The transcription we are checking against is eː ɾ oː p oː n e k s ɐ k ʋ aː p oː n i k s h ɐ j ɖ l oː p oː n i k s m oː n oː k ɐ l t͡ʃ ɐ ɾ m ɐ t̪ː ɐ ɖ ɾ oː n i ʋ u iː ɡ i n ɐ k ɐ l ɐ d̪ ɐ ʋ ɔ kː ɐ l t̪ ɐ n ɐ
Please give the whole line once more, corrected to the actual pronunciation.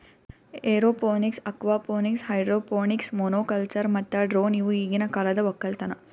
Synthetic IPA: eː ɾ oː p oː n i k s ɐ k ʋ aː p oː n i k s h ɐ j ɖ ɾ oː p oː n i k s m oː n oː k ɐ l t͡ʃ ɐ ɾ m ɐ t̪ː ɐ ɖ ɾ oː n i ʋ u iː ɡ i n ɐ k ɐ l ɐ d̪ ɐ ʋ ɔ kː ɐ l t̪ ɐ n ɐ